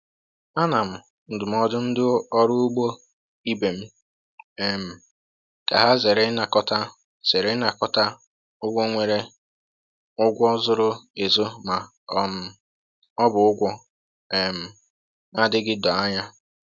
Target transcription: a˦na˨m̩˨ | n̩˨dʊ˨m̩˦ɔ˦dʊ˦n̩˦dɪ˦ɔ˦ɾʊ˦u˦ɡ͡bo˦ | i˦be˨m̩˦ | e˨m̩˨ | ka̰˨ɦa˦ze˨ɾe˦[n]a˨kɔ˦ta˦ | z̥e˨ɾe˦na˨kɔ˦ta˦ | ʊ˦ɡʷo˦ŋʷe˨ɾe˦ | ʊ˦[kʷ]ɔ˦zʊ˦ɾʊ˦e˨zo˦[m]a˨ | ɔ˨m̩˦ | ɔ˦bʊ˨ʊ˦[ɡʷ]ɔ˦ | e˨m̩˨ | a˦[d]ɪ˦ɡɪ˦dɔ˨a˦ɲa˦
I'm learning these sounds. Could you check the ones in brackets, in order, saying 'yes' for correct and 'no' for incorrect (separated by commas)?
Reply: yes, no, yes, yes, yes